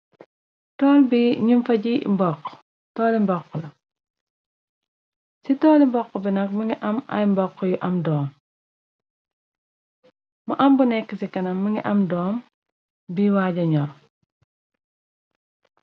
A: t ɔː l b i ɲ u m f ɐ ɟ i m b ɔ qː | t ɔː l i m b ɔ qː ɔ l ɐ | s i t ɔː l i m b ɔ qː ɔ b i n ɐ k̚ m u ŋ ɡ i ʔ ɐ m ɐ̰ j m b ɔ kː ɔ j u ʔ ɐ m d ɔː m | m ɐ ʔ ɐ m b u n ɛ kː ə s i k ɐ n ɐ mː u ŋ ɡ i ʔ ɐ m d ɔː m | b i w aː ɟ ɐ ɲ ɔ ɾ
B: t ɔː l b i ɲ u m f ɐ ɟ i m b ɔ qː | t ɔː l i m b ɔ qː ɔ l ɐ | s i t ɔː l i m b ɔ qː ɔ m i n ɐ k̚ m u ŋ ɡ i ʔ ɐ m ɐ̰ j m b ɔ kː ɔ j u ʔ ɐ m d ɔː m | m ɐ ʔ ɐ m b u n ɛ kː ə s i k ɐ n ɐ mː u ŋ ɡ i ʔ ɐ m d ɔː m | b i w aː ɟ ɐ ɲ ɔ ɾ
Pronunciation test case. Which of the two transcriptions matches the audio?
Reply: A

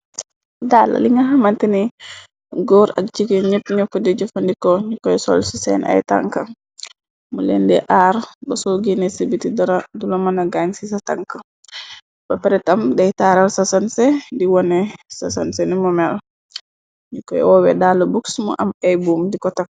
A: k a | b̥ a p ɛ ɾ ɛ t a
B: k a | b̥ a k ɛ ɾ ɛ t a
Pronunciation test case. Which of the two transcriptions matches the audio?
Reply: A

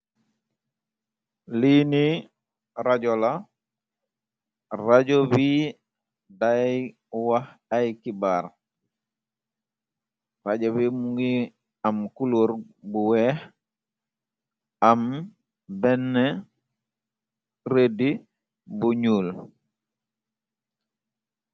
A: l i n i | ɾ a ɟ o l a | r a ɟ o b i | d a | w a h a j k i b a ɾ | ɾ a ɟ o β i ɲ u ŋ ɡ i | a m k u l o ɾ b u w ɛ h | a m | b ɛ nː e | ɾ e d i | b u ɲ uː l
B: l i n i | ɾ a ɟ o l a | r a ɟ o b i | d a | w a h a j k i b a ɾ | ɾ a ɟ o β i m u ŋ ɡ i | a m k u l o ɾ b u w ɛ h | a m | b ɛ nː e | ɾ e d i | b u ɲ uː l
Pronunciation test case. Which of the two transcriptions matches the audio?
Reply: B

